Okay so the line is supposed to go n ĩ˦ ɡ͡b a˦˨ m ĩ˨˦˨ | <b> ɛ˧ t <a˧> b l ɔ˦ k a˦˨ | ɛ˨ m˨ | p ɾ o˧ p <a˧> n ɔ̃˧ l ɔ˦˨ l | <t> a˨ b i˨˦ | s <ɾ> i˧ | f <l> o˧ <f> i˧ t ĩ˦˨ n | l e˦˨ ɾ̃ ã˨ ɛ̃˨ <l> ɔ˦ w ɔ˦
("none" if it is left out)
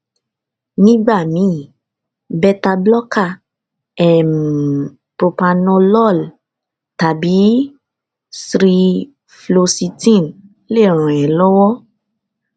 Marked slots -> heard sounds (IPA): b, a˧, a˧, t, ɾ, l, s, l

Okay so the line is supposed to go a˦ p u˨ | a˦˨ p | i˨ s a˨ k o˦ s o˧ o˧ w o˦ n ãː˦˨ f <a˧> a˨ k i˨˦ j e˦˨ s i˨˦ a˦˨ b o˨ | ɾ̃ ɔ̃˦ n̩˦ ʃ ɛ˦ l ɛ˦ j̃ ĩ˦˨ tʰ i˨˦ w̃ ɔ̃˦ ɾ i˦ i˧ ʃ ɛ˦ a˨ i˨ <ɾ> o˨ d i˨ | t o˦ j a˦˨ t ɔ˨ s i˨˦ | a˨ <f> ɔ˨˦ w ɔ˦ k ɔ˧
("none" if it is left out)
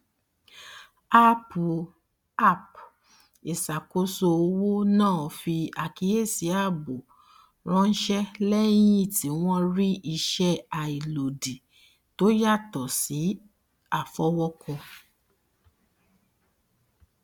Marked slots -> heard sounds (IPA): i˧, l, f

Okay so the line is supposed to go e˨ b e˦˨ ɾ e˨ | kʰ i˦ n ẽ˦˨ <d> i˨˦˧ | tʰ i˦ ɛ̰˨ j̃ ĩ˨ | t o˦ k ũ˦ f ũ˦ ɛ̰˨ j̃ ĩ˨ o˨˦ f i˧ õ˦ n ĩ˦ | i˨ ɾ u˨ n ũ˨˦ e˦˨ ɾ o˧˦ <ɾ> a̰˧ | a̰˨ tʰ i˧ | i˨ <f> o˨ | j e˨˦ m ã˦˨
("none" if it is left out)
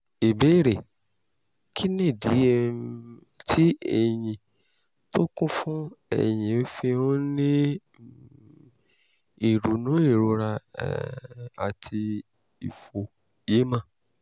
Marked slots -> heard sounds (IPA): d, ɾ, f

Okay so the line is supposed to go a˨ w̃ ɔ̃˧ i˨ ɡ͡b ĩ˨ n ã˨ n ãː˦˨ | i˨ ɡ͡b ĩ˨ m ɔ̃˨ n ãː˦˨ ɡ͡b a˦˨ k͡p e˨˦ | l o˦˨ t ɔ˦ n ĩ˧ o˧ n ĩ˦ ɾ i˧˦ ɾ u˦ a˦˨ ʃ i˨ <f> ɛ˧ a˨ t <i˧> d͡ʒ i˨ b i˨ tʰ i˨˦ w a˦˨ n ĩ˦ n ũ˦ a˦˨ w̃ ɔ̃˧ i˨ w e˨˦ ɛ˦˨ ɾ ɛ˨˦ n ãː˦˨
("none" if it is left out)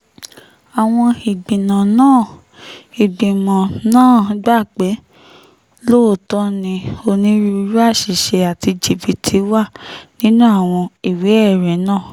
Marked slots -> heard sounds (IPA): ʃ, i˧

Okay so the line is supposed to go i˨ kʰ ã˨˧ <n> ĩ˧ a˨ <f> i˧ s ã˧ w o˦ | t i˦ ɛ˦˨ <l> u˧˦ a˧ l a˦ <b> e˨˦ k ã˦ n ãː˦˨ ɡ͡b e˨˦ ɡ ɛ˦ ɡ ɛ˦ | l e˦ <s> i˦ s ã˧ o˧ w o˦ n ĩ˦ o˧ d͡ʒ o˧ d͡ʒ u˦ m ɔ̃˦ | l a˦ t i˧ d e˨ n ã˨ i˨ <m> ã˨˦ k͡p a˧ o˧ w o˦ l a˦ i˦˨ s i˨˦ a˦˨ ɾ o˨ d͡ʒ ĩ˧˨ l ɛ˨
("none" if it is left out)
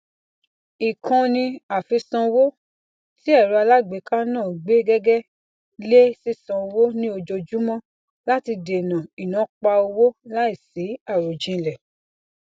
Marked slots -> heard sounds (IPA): n, f, ɾ, ɡ͡b, s, n

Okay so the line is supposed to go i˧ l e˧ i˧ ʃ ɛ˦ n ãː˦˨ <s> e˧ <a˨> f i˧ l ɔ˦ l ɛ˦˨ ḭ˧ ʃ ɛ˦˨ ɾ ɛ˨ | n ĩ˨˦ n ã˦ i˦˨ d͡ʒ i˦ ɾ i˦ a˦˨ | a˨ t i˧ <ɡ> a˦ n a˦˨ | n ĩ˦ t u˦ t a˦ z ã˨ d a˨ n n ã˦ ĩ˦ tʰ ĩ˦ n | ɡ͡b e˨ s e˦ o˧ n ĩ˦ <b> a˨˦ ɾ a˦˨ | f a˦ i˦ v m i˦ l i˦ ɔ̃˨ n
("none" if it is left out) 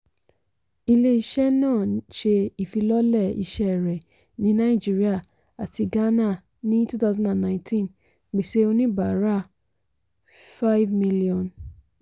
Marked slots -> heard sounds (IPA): ʃ, i˨, ɡ, b

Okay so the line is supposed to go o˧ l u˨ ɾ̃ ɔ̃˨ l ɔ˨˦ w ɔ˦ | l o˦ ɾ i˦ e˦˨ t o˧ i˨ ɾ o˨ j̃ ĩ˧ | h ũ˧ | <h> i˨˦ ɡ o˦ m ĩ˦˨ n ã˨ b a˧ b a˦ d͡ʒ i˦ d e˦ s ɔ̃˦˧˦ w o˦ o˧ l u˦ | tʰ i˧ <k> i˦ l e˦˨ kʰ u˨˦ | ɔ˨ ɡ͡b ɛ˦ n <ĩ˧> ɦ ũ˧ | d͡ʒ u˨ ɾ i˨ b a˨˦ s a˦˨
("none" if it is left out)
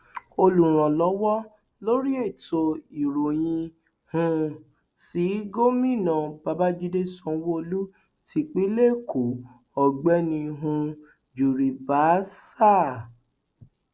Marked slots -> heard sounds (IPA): s, k͡p, ĩ˧

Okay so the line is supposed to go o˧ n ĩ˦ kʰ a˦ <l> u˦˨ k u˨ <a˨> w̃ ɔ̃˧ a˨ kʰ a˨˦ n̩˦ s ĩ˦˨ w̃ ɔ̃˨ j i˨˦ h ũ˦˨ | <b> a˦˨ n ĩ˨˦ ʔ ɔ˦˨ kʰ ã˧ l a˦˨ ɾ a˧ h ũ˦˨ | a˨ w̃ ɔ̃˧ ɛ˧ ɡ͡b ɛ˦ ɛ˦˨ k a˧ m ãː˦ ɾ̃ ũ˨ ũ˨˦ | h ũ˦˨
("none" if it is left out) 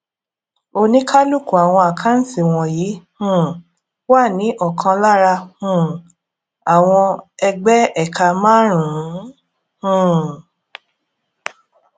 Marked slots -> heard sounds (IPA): l, a˨, w

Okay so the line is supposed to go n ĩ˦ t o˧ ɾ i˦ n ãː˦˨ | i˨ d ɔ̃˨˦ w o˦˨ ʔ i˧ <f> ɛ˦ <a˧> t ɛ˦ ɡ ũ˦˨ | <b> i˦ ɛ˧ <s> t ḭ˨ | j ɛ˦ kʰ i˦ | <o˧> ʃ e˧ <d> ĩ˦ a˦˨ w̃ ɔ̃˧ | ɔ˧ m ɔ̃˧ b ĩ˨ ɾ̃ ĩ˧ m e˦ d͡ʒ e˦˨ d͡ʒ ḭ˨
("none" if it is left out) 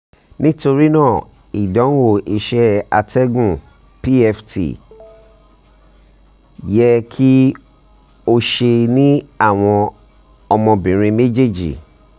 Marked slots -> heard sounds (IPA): ʃ, a˧, p, f, o˧, n

